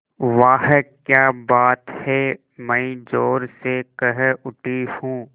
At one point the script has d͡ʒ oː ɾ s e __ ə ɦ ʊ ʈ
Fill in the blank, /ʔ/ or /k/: k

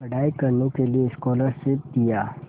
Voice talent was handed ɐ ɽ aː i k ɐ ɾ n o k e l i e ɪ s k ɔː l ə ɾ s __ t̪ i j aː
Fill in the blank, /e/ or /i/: e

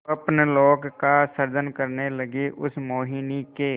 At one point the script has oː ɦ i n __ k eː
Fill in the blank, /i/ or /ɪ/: i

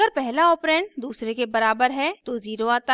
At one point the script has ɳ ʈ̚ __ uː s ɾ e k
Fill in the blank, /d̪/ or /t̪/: d̪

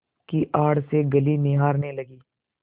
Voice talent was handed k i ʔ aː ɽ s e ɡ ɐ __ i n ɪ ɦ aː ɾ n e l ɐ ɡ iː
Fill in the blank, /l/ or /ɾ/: l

